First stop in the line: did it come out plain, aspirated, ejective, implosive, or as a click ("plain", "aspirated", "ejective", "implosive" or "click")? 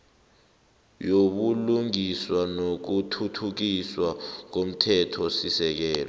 implosive